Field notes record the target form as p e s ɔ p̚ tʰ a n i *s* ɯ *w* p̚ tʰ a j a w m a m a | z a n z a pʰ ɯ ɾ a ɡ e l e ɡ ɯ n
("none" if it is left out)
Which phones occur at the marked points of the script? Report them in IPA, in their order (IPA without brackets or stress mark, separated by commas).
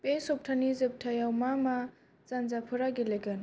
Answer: z, none